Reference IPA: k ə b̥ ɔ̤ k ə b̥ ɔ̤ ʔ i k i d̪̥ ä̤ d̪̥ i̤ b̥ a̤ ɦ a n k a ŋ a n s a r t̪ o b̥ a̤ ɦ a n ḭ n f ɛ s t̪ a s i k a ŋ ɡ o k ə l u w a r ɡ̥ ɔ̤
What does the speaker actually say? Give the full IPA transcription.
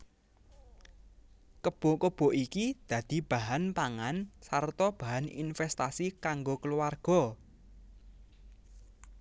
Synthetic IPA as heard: k ə b̥ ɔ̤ k ə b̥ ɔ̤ ʔ i k i d̪̥ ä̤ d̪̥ i̤ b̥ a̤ ɦ a n p a ŋ a n s a r t̪ ɔ b̥ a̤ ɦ a n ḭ n f ɛ s t̪ a s i k a ŋ ɡ o k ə l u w a r ɡ̥ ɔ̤